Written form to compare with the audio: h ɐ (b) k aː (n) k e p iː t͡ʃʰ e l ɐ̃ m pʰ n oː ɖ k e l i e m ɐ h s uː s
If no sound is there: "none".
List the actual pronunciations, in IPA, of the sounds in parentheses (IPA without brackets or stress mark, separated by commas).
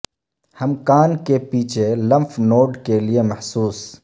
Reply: m, n